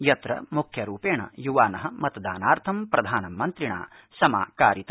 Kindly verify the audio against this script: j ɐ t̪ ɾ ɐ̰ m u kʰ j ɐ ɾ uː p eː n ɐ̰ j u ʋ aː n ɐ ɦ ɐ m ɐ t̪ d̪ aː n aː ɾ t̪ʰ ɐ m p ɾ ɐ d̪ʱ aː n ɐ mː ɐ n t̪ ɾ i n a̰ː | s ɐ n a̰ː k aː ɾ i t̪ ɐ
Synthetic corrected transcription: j ɐ t̪ ɾ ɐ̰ m u kʰ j ɐ ɾ uː p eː ɳ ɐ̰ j u ʋ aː n ɐ ɦ ɐ m ɐ t̪ d̪ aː n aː ɾ t̪ʰ ɐ m p ɾ ɐ d̪ʱ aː n ɐ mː ɐ n t̪ ɾ i ɳ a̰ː | s ɐ m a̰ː k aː ɾ i t̪ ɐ